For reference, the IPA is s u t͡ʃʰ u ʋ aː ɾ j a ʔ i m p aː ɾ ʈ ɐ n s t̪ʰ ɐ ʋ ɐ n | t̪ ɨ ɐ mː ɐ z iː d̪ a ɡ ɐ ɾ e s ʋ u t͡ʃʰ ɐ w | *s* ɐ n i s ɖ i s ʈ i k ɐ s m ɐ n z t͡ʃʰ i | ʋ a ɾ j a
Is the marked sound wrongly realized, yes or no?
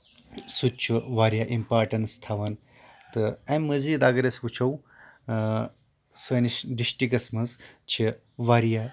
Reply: no